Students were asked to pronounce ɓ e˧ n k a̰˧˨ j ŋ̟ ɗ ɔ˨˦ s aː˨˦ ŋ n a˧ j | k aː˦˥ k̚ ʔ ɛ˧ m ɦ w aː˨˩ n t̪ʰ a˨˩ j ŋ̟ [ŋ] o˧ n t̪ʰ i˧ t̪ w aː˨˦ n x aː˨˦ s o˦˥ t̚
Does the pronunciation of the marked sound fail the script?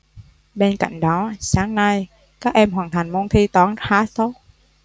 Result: yes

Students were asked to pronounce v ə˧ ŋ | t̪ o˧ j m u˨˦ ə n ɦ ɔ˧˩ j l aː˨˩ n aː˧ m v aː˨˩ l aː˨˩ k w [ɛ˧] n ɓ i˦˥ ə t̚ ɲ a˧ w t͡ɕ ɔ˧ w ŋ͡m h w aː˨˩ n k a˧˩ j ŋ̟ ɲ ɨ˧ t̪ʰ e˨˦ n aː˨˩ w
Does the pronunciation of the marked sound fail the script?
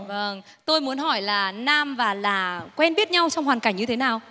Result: no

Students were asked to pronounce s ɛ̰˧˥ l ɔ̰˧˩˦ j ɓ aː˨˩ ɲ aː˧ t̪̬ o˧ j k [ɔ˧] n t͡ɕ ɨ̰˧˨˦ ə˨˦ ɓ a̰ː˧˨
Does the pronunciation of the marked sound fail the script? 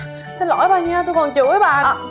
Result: yes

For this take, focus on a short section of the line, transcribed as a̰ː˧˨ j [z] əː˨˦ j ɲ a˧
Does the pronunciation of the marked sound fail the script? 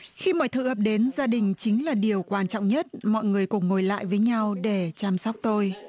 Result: yes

